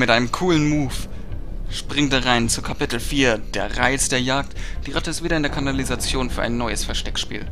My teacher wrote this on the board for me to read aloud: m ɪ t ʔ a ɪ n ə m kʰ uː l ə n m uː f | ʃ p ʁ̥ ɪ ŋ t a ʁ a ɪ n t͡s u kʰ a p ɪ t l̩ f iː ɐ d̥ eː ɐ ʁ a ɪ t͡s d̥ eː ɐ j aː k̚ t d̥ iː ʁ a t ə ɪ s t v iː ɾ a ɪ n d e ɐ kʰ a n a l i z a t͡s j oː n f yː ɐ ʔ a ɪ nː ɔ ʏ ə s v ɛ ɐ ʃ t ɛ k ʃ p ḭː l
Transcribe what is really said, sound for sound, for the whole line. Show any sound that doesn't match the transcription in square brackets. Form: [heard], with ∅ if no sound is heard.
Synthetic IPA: m ɪ t ʔ a ɪ n ə m kʰ uː l ə n m uː f | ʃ p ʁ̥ ɪ ŋ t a ʁ a ɪ n t͡s u kʰ a p ɪ t l̩ f iː ɐ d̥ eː ɐ ʁ a ɪ t͡s d̥ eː ɐ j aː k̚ t d̥ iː ʁ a t ə ɪ s t v iː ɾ [ɐ] ɪ n d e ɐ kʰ a n a l i z a t͡s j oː n f yː ɐ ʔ a ɪ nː ɔ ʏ ə s [f] ɛ ɐ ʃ t ɛ k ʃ p ḭː l

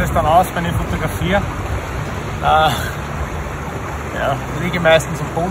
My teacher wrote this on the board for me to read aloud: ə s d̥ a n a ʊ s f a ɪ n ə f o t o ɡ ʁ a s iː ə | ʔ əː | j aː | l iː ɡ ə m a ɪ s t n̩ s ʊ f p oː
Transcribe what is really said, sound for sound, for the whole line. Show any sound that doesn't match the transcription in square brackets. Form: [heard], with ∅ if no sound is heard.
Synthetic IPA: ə s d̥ a n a ʊ s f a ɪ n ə f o t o ɡ ʁ a [f] iː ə | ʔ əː | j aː | l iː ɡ ə m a ɪ s t n̩ s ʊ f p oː

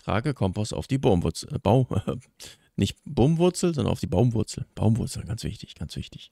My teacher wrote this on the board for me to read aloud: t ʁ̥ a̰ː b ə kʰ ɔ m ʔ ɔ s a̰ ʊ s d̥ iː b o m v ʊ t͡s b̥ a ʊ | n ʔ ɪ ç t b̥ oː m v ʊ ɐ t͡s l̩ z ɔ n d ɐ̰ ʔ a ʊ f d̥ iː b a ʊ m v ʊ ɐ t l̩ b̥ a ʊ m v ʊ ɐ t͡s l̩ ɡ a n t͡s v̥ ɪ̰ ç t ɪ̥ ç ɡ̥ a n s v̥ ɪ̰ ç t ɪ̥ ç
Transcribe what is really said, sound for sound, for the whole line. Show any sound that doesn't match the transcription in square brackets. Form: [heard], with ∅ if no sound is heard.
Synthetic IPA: t ʁ̥ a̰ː [ɡ] ə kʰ ɔ m [p] ɔ s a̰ ʊ [f] d̥ iː b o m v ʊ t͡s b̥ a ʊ | n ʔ ɪ ç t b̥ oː m v ʊ ɐ t͡s l̩ z ɔ n d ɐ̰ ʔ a ʊ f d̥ iː b a ʊ m v ʊ ɐ [t͡s] l̩ b̥ a ʊ m v ʊ ɐ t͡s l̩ ɡ a n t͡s v̥ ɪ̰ ç t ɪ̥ ç ɡ̥ a n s v̥ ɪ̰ ç t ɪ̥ ç

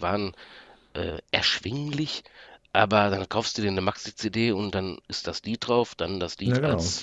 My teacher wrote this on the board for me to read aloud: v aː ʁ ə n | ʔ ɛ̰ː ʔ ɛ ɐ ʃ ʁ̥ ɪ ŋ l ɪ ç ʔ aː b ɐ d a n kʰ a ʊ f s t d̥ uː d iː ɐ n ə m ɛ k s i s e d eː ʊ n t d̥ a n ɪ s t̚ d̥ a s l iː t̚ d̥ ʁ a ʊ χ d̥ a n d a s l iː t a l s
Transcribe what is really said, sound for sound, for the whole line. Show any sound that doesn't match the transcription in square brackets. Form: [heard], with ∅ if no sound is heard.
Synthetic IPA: v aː ʁ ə n | ʔ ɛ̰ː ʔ ɛ ɐ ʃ [v̥] ɪ ŋ l ɪ ç ʔ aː b ɐ d a n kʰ a ʊ f s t d̥ uː d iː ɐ n ə m [a] k s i [t͡s] e d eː ʊ n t d̥ a n ɪ s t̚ d̥ a s l iː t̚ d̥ ʁ a ʊ [f] d̥ a n d a s l iː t a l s

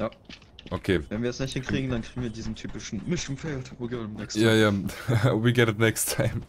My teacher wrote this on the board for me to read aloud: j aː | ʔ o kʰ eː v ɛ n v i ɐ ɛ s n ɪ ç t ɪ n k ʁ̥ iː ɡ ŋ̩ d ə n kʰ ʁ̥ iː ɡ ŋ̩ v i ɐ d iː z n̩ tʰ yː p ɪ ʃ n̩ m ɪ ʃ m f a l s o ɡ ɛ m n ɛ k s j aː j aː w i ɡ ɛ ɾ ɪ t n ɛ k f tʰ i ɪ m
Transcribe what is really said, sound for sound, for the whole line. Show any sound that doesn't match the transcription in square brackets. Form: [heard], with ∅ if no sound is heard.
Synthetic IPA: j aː | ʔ o kʰ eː v ɛ n v i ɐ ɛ s n ɪ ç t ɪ n k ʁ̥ iː ɡ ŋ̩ d [a] n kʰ ʁ̥ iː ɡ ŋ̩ v i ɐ d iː z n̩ tʰ yː p ɪ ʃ n̩ m ɪ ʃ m f [ɛ] l [t] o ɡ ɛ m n ɛ k s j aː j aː w i ɡ ɛ ɾ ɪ t n ɛ k [s] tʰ [a] ɪ m

